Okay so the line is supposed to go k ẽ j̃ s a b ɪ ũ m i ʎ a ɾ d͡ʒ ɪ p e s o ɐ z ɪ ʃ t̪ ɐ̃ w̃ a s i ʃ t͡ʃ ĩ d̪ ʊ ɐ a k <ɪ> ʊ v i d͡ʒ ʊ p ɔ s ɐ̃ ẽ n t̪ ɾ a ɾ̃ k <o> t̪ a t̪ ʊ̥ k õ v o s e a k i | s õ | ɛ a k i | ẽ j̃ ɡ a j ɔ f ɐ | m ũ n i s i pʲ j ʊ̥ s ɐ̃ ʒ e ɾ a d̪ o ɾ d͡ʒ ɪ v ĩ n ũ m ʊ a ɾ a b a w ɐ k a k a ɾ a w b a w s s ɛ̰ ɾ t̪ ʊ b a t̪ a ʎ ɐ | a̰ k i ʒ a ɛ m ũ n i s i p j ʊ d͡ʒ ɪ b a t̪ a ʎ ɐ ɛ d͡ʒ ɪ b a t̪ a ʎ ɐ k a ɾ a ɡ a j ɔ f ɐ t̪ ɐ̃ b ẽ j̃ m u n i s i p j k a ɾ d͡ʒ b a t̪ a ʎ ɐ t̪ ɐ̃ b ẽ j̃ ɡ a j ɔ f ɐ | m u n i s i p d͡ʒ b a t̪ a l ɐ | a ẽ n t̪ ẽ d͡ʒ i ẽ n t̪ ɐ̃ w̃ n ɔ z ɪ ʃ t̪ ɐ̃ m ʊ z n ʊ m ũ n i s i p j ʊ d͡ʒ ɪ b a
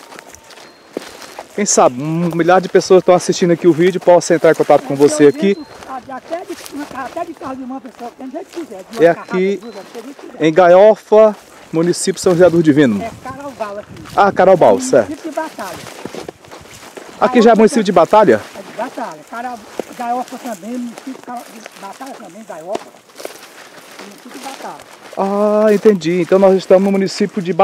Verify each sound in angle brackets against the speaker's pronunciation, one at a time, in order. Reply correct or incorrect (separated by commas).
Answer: incorrect, incorrect